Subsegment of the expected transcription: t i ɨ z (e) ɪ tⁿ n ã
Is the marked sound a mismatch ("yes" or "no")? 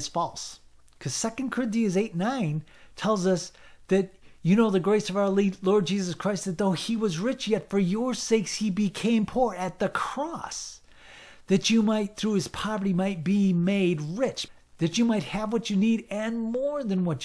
no